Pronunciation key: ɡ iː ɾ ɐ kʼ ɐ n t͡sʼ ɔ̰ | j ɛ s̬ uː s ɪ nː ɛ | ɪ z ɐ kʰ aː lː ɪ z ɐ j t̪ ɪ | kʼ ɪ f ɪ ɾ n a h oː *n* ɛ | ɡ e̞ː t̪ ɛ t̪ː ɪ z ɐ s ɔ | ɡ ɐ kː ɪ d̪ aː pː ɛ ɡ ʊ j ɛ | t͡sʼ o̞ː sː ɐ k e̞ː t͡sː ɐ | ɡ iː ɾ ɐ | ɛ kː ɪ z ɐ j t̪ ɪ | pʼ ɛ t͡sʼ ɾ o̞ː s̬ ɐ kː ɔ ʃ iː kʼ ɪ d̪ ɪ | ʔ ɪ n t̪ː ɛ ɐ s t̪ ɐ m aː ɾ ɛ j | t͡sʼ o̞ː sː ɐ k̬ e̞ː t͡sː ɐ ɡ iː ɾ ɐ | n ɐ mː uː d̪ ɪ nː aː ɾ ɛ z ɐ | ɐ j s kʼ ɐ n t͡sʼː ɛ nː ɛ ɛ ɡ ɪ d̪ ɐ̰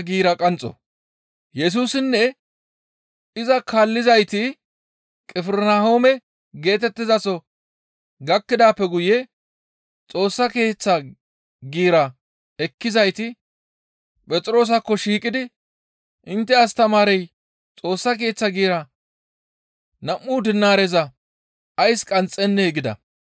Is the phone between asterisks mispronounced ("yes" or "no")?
yes